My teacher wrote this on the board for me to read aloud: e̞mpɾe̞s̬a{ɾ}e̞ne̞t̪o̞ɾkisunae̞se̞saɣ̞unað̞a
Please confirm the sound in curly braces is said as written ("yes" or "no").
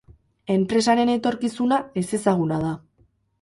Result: yes